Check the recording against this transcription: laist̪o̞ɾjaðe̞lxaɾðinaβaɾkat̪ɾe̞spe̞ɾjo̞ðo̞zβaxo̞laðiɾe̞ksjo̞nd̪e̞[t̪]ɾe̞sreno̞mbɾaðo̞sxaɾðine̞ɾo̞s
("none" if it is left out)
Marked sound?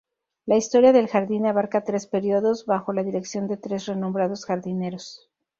t̪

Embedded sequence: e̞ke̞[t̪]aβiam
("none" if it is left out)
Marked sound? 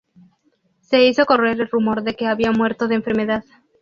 none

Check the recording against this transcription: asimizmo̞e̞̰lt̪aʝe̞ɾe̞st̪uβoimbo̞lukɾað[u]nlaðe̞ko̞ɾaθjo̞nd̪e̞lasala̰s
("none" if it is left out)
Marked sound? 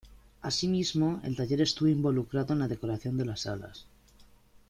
o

